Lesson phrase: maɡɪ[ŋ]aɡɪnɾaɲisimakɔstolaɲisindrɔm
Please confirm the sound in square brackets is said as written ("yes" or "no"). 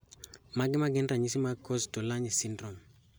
no